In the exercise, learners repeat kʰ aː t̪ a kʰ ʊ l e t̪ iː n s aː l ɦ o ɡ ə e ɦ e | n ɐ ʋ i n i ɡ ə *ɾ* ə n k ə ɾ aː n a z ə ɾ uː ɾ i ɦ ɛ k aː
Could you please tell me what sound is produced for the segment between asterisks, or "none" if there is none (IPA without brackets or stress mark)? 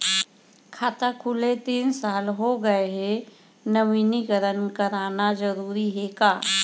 ɾ